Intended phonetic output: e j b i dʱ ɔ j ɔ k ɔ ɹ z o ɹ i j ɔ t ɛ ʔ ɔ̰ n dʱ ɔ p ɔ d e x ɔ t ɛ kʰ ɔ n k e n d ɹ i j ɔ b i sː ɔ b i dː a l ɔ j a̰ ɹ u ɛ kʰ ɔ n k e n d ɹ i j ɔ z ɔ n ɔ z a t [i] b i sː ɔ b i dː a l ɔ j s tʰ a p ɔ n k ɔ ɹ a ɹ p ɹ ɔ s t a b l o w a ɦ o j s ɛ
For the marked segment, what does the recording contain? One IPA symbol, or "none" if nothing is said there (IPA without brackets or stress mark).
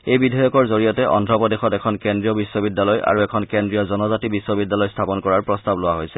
i